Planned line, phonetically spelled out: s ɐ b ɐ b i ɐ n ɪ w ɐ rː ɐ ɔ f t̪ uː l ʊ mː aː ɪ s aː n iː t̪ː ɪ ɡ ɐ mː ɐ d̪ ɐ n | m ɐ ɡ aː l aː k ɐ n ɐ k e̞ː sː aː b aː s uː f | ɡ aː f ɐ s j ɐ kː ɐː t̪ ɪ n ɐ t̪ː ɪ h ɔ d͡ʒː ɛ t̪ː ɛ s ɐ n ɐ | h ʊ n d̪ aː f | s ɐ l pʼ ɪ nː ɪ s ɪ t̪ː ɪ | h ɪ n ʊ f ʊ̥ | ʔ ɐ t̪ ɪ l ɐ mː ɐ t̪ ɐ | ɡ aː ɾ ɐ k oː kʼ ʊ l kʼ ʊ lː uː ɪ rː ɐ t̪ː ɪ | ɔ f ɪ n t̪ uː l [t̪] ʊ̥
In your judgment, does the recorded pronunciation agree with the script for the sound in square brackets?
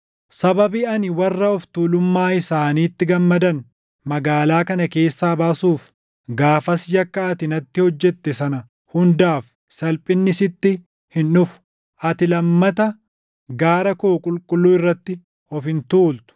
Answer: yes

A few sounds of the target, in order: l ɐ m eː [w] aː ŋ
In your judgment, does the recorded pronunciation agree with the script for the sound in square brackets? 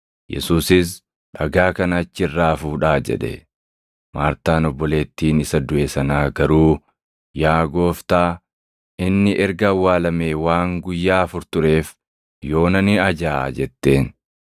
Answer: yes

